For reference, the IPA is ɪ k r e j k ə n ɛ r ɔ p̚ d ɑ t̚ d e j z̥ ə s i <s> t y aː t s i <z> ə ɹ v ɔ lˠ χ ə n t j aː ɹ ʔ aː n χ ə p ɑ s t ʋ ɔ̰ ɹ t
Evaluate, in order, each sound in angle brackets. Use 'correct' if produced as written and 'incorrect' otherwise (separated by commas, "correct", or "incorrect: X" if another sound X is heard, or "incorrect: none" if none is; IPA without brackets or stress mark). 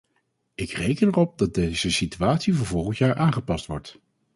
incorrect: none, incorrect: v